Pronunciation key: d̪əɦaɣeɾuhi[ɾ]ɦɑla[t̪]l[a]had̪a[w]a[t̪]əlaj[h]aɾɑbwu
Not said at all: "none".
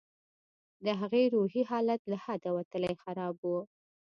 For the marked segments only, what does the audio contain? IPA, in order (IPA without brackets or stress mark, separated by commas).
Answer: none, t̪, a, w, t̪, x